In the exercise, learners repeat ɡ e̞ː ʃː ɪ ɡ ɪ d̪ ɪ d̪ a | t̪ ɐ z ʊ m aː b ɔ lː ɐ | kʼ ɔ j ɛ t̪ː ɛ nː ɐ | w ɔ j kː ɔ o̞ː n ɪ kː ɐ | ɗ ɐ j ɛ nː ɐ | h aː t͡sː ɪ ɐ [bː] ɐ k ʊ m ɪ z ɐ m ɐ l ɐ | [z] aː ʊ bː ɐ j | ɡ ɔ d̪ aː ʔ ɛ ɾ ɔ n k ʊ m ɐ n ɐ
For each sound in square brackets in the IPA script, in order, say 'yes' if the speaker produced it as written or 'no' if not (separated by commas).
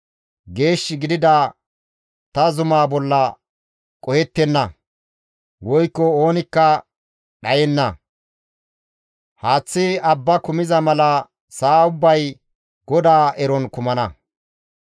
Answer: yes, no